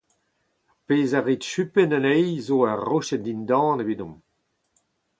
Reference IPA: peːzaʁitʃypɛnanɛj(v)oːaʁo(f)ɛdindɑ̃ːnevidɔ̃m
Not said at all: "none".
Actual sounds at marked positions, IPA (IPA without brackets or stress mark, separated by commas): z, ʃ